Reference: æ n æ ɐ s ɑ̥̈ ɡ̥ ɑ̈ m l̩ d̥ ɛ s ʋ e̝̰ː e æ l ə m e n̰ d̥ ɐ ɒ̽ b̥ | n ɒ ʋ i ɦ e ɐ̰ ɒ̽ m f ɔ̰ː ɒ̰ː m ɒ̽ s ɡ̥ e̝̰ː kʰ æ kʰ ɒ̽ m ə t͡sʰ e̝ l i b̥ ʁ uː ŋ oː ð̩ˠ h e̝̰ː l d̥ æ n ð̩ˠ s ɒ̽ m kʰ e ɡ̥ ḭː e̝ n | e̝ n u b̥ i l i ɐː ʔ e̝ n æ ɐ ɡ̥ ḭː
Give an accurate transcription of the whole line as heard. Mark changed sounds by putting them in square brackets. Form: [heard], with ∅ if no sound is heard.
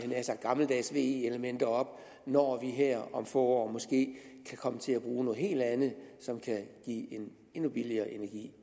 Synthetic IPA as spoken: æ n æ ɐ s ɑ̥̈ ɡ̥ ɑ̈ m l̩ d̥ ɛ s ʋ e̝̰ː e [e] l ə m e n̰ d̥ ɐ ɒ̽ b̥ | n ɒ ʋ i ɦ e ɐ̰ ɒ̽ m f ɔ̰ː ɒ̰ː m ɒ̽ s ɡ̥ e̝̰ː kʰ æ kʰ ɒ̽ m ə t͡sʰ e̝ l [æ] b̥ ʁ uː [n] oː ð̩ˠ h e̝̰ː l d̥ æ n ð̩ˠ s ɒ̽ m kʰ [æ] ɡ̥ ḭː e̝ n | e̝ n u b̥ i l i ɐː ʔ e̝ n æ ɐ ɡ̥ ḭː

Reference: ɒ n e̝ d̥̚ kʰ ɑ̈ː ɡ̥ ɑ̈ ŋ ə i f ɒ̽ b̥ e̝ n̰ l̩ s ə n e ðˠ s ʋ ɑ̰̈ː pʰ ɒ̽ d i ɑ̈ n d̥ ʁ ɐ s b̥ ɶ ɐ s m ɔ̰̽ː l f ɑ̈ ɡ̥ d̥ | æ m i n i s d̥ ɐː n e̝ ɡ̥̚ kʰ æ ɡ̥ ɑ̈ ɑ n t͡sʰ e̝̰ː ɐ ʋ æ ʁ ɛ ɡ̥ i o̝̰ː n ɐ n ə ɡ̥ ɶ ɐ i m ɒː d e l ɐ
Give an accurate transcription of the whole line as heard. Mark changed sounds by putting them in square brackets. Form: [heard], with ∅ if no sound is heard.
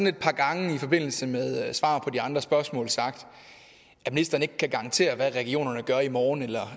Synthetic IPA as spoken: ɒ n e̝ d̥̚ [pʰ] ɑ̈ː ɡ̥ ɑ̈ ŋ ə i f ɒ̽ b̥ e̝ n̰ l̩ s ə [m] e ðˠ s ʋ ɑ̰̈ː pʰ ɒ̽ d i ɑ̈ n d̥ ʁ ɐ s b̥ ɶ ɐ s m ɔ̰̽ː l [s] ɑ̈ ɡ̥ d̥ | æ m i n i s d̥ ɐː n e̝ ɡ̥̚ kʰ æ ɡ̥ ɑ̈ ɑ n t͡sʰ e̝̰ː ɐ ʋ æ ʁ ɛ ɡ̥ i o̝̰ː n ɐ n ə ɡ̥ ɶ ɐ i m ɒː [n] e l ɐ

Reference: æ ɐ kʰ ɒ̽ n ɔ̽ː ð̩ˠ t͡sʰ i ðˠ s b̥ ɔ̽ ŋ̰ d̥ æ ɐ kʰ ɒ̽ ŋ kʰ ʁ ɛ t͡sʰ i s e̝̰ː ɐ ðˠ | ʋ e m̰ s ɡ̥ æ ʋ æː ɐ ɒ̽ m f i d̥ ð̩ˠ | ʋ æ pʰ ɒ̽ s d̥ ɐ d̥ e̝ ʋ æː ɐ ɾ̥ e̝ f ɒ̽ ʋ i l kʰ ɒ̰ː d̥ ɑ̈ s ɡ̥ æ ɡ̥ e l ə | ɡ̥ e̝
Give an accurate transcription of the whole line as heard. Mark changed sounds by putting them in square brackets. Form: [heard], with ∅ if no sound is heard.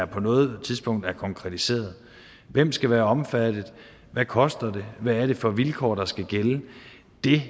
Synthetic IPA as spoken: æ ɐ [pʰ] ɒ̽ n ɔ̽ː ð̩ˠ t͡sʰ i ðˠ s b̥ ɔ̽ ŋ̰ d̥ æ ɐ kʰ ɒ̽ ŋ kʰ ʁ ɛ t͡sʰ i s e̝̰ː ɐ ðˠ | ʋ e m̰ s ɡ̥ æ ʋ æː ɐ ɒ̽ m f [æ] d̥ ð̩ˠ | ʋ æ [kʰ] ɒ̽ s d̥ ɐ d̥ e̝ ʋ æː ɐ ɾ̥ e̝ f ɒ̽ ʋ i l kʰ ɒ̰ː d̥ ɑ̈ s ɡ̥ æ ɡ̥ e l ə | [d̥] e̝

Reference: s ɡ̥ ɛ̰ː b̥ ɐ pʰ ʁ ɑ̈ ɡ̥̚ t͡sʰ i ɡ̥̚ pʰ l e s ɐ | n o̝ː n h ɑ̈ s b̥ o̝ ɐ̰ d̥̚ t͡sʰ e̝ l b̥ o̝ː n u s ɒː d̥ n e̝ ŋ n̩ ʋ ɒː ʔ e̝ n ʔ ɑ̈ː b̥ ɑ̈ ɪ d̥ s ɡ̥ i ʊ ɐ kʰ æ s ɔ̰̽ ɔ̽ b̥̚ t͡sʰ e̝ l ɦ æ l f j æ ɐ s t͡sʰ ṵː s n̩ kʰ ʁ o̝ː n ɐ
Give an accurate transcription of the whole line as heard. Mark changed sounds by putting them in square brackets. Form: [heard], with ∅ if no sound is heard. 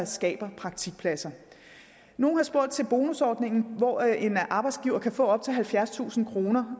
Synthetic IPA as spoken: s ɡ̥ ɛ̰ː b̥ ɐ pʰ ʁ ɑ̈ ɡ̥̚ t͡sʰ i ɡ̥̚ pʰ l [æ] s ɐ | n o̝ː n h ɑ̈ s b̥ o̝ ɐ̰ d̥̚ t͡sʰ e̝ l b̥ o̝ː n u s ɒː d̥ n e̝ ŋ n̩ ʋ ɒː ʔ e̝ n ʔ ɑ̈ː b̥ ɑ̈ ɪ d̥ s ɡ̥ i ʊ ɐ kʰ æ [f] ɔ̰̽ [ɒ̽] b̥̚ t͡sʰ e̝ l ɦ æ l f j æ ɐ s t͡sʰ ṵː s n̩ kʰ ʁ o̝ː n ɐ

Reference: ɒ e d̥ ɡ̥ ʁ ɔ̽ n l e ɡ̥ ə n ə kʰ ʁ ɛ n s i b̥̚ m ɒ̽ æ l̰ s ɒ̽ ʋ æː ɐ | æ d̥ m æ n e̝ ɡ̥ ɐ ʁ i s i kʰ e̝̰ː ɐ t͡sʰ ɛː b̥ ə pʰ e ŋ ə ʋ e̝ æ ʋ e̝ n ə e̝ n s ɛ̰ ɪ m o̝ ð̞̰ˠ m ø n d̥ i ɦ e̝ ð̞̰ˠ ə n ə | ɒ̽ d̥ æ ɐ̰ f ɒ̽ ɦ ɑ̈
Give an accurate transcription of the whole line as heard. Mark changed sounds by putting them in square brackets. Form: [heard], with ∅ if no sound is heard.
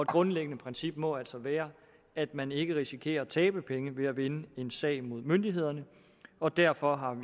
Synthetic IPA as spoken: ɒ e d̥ ɡ̥ ʁ ɔ̽ n l e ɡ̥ ə n ə [pʰ] ʁ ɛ n s i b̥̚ m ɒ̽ æ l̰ s ɒ̽ ʋ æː ɐ | æ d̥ m æ n e̝ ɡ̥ [ə] ʁ i s i kʰ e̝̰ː ɐ t͡sʰ ɛː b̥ ə pʰ e ŋ ə ʋ e̝ æ ʋ e̝ n ə e̝ n s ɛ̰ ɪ m o̝ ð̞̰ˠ m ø n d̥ i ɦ e̝ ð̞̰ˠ [ɐ] n ə | ɒ̽ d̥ æ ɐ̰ f ɒ̽ ɦ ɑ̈

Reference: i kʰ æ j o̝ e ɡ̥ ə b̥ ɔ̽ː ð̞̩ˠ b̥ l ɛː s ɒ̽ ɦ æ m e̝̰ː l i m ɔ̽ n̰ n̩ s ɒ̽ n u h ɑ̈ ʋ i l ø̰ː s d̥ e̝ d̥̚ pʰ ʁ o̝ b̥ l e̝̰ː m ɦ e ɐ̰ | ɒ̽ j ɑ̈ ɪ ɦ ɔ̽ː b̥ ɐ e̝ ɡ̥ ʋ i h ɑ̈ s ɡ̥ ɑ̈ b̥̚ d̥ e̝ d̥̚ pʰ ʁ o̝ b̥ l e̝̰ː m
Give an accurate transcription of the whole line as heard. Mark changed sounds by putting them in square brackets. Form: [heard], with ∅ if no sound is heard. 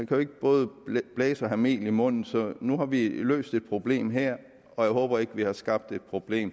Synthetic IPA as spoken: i kʰ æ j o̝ e ɡ̥ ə b̥ ɔ̽ː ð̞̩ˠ b̥ l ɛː s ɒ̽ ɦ æ m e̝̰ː l i m ɔ̽ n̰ n̩ s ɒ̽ n u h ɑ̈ ʋ i l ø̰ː s d̥ e̝ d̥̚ pʰ ʁ o̝ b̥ l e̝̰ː m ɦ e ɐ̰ | ɒ̽ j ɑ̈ ɪ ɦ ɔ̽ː b̥ ɐ e̝ ɡ̥ ʋ i h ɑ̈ s ɡ̥ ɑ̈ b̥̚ d̥ e̝ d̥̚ pʰ ʁ o̝ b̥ l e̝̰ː m

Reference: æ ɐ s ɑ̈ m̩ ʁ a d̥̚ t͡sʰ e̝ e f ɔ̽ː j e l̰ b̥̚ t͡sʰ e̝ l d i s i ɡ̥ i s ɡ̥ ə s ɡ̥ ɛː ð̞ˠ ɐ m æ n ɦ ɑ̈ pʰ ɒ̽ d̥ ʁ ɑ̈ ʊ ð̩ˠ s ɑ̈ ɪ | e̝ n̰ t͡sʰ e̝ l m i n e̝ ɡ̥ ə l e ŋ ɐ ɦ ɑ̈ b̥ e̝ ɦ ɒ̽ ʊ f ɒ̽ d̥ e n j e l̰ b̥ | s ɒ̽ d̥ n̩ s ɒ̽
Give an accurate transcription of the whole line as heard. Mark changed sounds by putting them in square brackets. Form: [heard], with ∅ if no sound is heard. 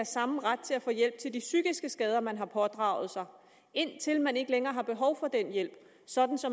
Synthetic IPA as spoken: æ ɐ s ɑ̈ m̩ ʁ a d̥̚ t͡sʰ e̝ [æ] f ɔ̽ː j e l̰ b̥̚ t͡sʰ e̝ l d i s [y] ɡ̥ i s ɡ̥ ə s ɡ̥ ɛː ð̞ˠ ɐ m æ n ɦ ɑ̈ pʰ ɒ̽ d̥ ʁ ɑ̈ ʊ ð̩ˠ s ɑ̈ ɪ | e̝ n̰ t͡sʰ e̝ l m [æ] n e̝ ɡ̥ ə l e ŋ [ɐː] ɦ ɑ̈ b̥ e̝ ɦ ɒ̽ ʊ f ɒ̽ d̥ e n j e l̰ b̥ | s ɒ̽ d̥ n̩ s ɒ̽

